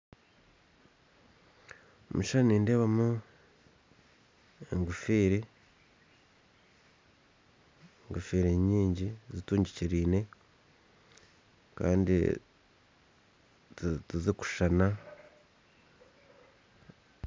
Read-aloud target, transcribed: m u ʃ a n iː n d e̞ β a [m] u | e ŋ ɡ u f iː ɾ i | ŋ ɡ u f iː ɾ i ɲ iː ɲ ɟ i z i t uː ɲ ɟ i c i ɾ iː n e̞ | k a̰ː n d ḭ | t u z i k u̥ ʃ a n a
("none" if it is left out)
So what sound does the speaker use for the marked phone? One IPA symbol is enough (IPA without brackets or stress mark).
m